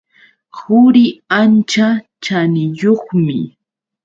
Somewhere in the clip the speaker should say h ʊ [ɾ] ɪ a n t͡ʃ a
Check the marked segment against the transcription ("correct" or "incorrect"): correct